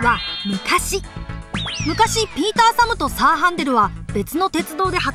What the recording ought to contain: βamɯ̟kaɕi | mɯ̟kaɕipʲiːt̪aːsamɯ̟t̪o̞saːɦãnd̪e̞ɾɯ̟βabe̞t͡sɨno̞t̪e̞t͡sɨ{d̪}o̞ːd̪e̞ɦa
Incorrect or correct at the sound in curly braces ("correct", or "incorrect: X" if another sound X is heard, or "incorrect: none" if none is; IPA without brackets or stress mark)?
correct